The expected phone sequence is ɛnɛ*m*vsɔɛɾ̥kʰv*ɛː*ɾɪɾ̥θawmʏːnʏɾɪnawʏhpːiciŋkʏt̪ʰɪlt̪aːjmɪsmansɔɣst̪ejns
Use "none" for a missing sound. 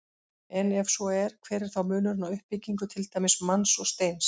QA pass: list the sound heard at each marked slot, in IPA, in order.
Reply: none, ɛː

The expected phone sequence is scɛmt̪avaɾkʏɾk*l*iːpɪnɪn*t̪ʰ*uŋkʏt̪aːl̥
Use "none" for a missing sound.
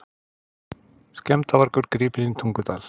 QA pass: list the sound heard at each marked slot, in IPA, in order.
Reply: ɾ, t̪ʰ

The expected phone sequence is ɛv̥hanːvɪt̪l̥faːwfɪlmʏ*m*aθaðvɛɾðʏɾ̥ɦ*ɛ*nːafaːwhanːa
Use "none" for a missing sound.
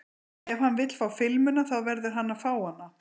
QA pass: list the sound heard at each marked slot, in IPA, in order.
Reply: n, a

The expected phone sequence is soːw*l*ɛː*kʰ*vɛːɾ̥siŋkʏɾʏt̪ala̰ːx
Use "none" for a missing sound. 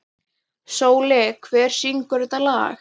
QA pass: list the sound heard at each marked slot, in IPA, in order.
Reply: l, kʰ

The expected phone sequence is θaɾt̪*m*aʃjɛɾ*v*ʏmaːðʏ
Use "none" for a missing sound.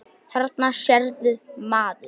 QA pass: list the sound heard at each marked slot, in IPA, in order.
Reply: n, ð

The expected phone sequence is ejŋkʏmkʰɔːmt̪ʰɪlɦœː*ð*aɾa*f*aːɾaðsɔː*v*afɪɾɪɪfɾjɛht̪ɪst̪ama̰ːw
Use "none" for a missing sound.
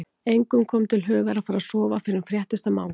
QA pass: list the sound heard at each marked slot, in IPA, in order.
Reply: ɣ, f, v

